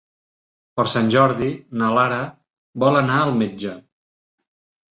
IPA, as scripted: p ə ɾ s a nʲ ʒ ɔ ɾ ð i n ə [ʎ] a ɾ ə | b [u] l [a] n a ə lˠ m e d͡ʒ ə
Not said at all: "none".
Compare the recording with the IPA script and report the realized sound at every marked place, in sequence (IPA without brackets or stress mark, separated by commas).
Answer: l, ɔ, ə